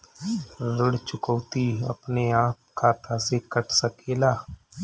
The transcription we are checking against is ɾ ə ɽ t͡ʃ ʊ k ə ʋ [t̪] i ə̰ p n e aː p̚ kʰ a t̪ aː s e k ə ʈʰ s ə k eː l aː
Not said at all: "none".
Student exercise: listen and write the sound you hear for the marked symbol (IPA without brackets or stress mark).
t̪